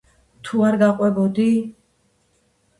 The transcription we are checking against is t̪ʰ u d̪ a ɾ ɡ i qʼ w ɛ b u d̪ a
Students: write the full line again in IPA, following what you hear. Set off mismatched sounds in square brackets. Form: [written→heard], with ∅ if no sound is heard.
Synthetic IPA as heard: t̪ʰ u [d̪→∅] a ɾ ɡ [i→a] qʼ w ɛ b [u→ɔ] d̪ [a→i]